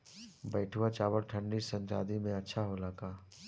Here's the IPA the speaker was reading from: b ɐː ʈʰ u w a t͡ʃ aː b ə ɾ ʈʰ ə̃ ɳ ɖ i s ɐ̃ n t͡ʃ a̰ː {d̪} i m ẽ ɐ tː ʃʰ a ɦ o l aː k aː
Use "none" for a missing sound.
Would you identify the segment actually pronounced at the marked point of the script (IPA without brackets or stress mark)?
d̪